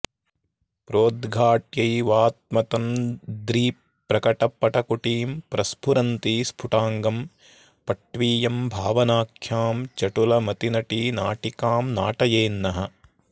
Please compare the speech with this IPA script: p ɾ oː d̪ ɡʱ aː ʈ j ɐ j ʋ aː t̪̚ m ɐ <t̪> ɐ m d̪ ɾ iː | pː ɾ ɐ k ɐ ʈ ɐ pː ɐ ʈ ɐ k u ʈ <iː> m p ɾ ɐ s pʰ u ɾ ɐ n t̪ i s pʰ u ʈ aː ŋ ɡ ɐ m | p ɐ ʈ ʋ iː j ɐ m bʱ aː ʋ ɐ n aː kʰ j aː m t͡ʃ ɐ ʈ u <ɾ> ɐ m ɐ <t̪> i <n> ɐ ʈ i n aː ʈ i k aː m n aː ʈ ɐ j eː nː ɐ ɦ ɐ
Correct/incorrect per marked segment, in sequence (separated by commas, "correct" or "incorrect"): correct, correct, incorrect, correct, correct